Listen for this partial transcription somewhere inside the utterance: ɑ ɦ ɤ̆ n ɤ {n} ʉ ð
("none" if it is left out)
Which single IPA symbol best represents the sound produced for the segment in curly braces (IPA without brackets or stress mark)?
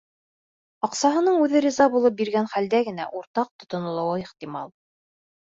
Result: ɴ